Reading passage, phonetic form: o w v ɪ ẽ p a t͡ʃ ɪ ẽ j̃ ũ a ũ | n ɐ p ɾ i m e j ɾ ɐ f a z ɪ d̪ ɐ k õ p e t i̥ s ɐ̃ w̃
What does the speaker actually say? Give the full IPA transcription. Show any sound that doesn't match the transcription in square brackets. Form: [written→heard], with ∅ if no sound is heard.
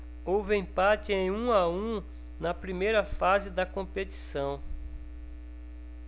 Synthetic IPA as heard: o w v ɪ ẽ p a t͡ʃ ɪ ẽ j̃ ũ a ũ | n ɐ p ɾ i m e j ɾ ɐ f a z ɪ d̪ ɐ k õ p e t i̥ s ɐ̃ w̃